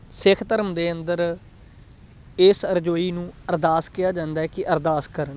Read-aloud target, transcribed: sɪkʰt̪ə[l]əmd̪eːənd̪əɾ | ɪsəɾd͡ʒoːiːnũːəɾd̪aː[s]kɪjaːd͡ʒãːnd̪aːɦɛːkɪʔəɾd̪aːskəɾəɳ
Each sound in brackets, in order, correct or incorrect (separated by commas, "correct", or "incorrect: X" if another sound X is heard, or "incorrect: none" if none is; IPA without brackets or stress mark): incorrect: ɾ, correct